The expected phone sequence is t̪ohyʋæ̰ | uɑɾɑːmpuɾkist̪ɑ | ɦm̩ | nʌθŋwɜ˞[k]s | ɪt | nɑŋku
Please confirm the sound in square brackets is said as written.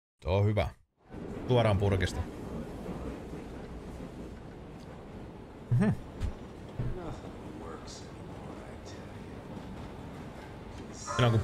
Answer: yes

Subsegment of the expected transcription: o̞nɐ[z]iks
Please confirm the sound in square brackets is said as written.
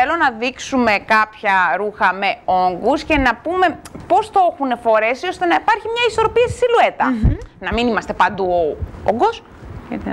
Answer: no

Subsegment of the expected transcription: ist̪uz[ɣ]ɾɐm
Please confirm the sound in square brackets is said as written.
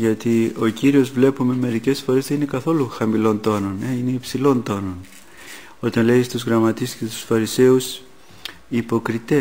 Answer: yes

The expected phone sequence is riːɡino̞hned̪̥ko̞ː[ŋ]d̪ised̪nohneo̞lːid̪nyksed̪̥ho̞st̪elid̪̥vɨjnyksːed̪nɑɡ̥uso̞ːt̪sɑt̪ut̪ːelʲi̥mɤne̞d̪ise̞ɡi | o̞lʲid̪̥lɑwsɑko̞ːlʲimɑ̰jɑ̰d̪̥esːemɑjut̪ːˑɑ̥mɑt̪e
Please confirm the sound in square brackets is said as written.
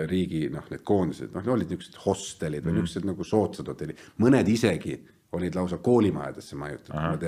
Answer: no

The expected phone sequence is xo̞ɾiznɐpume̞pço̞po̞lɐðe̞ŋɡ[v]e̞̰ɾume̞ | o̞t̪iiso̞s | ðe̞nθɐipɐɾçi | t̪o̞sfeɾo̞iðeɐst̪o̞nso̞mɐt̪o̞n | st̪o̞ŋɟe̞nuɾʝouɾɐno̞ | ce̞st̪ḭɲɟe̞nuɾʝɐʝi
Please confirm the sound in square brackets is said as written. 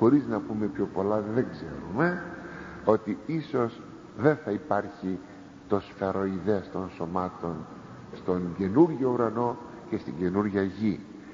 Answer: no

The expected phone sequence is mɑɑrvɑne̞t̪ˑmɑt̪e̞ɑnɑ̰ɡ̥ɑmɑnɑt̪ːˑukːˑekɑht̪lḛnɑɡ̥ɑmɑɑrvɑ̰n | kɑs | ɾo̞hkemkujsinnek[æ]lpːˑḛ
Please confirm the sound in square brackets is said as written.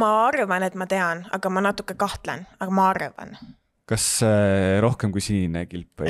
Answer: no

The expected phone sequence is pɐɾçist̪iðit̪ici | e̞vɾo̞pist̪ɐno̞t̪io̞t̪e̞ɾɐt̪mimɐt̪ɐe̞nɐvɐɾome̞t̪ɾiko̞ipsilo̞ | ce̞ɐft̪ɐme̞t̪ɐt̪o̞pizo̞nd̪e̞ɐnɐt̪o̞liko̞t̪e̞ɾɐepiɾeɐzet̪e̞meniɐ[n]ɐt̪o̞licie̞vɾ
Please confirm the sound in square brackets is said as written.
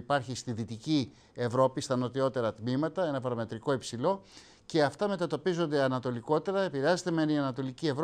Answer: yes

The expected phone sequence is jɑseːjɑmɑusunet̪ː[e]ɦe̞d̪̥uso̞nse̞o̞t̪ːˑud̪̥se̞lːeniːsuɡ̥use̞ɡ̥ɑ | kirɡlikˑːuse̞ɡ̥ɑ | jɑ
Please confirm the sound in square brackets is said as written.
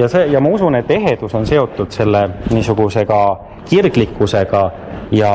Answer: yes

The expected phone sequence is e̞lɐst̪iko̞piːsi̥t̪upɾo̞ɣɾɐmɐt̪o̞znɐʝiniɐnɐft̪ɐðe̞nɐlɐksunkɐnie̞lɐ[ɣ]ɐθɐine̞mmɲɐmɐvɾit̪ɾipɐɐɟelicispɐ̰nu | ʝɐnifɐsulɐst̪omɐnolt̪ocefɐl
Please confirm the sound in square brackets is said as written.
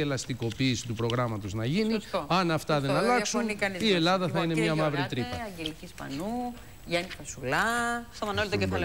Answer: no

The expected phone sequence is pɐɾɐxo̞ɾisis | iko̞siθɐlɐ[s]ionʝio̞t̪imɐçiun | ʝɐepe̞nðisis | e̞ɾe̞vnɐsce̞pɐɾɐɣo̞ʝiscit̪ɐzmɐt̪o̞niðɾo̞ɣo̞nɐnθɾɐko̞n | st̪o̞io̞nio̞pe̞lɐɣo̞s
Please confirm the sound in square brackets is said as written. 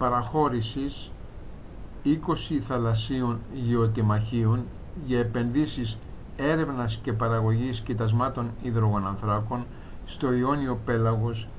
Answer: yes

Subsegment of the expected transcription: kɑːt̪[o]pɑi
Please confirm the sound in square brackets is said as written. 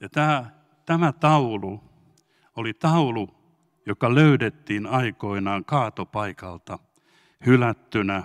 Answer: yes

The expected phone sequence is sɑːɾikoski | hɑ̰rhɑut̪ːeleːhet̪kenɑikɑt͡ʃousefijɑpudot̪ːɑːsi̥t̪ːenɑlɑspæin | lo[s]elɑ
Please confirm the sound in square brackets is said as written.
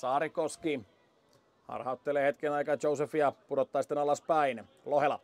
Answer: no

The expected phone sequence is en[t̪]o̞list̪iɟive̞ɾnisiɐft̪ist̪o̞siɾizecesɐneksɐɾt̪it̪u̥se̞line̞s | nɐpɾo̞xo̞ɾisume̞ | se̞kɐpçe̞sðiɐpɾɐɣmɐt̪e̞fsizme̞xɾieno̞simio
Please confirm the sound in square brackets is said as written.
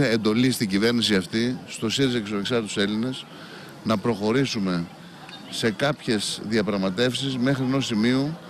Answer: no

